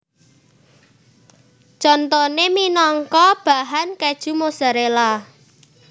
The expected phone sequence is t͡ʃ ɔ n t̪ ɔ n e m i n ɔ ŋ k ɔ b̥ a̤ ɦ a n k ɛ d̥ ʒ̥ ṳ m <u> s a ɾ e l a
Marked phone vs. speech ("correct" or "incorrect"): incorrect